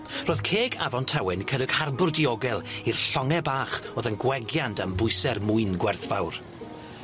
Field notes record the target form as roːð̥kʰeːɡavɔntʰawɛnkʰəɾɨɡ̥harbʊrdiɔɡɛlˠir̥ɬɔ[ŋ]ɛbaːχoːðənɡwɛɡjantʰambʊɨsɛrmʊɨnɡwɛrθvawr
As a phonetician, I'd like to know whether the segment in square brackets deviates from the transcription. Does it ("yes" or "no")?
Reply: no